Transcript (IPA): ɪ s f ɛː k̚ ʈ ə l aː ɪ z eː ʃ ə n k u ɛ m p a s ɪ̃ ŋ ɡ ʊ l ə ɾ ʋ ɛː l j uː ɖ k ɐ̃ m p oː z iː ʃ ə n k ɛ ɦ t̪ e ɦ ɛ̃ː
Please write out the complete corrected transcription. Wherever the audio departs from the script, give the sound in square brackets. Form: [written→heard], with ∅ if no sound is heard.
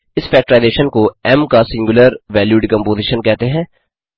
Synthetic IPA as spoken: ɪ s f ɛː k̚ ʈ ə [l→ɾ] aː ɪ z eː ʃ ə n k [u→o] ɛ m [p→k] a s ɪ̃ ŋ ɡ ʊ l ə ɾ ʋ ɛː l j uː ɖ k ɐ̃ m p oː z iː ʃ ə n k ɛ ɦ t̪ e ɦ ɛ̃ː